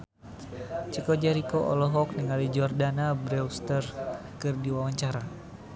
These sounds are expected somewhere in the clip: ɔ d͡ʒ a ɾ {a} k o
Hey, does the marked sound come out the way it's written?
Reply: no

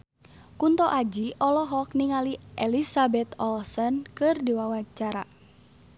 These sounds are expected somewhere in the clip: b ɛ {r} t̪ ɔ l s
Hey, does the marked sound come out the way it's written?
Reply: no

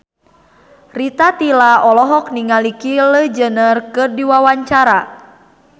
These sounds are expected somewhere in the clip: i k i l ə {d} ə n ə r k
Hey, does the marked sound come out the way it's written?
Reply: no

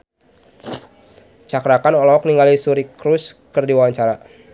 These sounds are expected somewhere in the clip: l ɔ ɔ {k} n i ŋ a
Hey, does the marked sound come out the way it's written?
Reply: yes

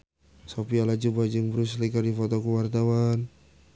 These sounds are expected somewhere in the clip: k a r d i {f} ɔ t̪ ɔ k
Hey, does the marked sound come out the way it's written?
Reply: yes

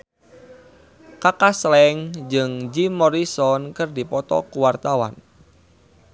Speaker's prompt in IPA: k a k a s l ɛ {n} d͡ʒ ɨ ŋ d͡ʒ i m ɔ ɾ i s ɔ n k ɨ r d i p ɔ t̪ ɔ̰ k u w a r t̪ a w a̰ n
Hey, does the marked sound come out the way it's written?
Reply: no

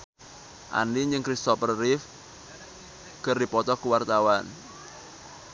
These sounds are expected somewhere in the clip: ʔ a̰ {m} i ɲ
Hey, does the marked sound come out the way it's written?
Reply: no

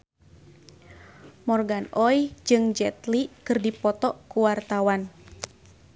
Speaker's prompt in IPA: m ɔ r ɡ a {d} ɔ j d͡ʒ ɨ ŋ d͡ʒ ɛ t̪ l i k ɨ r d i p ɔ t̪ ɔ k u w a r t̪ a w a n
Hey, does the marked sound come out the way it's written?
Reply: no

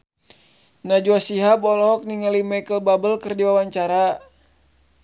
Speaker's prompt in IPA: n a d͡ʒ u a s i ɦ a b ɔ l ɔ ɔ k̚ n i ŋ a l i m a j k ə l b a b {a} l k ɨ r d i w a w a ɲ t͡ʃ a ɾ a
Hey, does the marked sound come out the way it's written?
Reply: no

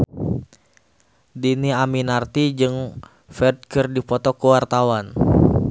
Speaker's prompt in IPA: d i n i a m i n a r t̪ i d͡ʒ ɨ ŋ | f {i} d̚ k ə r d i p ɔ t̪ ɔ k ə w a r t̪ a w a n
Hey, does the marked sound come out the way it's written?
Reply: no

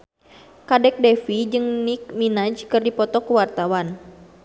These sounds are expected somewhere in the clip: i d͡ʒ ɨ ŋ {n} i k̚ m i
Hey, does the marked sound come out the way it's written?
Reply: yes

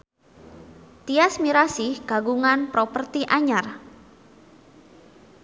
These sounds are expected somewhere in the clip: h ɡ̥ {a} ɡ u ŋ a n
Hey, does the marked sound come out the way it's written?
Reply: yes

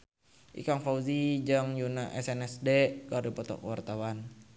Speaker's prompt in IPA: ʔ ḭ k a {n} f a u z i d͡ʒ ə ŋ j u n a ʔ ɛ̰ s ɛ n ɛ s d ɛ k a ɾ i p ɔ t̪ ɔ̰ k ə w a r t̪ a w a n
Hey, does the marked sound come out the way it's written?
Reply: no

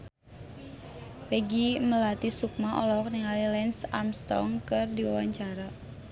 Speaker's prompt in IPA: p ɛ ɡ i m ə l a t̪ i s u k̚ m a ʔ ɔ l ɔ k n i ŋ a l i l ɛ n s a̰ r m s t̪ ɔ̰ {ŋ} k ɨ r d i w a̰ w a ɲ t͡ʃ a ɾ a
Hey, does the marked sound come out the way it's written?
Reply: yes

